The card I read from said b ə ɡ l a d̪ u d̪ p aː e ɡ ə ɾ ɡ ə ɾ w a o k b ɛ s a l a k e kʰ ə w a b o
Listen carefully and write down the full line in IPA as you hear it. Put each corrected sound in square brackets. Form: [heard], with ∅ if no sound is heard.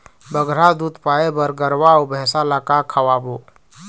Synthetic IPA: b ə ɡ [ɾ] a d̪ u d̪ p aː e [b] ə ɾ ɡ ə ɾ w a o [∅] b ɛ s a l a k [a] kʰ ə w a b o